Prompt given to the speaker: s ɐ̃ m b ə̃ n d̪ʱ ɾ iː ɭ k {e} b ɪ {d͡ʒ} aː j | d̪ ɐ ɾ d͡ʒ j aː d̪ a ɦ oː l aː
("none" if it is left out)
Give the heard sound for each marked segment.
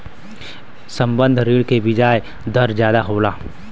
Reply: e, d͡ʒ

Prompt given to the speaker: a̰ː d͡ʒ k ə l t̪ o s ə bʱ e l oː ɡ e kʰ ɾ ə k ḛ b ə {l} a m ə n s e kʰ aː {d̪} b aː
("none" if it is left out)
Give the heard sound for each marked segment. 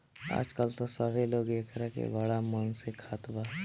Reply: ɽ, t̪

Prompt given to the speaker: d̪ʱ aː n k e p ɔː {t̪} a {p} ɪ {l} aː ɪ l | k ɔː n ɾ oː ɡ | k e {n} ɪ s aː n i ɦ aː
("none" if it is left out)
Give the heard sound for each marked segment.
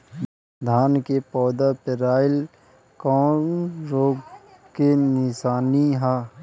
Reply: d̪, p, ɾ, n

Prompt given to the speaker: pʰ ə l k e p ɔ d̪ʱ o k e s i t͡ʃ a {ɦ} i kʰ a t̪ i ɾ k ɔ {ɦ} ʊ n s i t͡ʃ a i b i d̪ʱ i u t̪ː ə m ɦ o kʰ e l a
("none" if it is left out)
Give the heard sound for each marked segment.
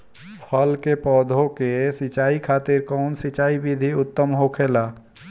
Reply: none, none

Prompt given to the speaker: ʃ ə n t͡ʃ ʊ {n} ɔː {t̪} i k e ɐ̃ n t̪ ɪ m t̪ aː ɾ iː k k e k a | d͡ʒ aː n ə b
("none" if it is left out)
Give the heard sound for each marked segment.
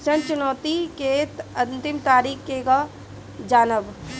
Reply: n, t̪

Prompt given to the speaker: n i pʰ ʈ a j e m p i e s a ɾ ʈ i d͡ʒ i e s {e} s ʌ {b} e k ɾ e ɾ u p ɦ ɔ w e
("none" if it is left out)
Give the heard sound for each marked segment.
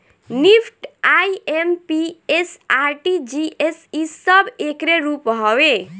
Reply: i, b

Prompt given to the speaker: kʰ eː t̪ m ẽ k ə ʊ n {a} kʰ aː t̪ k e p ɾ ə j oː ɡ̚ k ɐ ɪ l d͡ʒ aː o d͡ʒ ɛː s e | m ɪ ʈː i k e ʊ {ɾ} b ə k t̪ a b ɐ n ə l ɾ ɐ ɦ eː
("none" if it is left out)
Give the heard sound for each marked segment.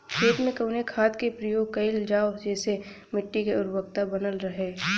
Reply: e, ɾ

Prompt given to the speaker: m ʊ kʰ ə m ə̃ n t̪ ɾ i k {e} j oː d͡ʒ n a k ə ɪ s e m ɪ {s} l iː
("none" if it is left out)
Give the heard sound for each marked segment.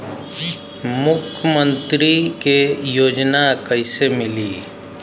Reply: e, none

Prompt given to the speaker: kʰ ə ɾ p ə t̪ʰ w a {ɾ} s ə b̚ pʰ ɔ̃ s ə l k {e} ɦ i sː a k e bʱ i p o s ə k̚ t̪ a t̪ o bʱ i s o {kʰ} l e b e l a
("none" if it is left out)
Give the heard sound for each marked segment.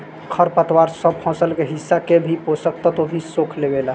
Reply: ɾ, e, kʰ

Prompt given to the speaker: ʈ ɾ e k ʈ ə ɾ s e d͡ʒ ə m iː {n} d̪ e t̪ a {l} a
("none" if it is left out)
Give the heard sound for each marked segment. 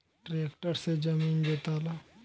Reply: n, l

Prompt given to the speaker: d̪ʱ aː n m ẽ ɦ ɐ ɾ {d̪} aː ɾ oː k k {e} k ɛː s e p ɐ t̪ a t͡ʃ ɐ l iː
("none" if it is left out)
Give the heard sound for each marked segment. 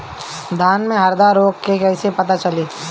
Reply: d̪, e

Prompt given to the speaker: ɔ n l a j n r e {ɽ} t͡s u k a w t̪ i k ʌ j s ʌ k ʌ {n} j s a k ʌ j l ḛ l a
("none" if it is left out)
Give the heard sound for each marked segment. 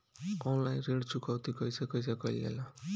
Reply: ɽ, none

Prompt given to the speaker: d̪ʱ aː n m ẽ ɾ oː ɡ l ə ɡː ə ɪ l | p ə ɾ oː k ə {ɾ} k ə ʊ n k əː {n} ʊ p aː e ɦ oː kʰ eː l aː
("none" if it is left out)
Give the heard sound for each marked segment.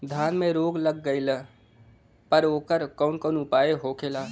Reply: ɾ, n

